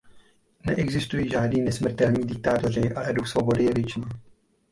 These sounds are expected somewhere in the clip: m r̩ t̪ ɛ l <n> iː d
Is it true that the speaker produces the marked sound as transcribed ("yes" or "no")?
no